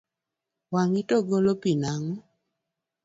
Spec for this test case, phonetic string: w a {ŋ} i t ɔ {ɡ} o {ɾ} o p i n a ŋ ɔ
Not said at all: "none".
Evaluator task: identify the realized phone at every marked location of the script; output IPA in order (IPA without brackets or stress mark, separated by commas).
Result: ŋ, ɡ, l